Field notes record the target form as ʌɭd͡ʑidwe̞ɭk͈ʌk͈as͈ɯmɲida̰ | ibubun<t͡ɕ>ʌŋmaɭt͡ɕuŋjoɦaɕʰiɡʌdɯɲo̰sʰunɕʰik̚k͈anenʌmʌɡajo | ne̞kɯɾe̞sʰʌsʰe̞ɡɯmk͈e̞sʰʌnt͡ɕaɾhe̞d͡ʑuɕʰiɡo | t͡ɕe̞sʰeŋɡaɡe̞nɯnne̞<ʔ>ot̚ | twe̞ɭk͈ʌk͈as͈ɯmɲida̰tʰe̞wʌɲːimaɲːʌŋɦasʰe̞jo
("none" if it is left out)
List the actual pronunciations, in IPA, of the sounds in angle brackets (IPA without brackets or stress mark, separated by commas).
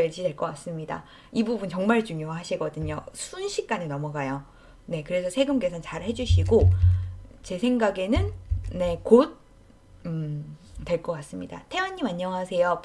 t͡ɕ, k